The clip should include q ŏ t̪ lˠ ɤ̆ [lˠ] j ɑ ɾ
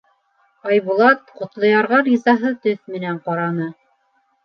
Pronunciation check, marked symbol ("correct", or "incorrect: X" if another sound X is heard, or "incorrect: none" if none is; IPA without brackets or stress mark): incorrect: none